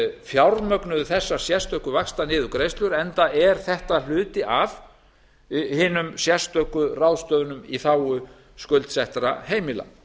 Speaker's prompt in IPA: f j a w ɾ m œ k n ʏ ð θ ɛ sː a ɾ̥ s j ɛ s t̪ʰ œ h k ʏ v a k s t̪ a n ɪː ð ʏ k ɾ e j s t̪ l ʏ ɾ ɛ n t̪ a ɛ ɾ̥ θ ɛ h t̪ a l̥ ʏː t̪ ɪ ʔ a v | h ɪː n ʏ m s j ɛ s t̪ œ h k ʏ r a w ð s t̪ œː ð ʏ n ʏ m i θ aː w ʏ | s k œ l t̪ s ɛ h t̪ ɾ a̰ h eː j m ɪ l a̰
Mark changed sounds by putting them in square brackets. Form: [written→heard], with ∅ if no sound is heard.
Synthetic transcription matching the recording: f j a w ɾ m œ k n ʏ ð θ ɛ sː a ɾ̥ s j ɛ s [t̪ʰ→t̪] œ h k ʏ v a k s t̪ a n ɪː ð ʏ k ɾ e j s t̪ l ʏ ɾ ɛ n t̪ a ɛ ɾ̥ θ ɛ h t̪ a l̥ ʏː t̪ ɪ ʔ a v | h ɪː n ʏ m s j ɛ s t̪ œ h k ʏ r a w ð s t̪ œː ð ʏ n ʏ m i θ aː w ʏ | s k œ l t̪ s ɛ h t̪ ɾ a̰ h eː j m ɪ l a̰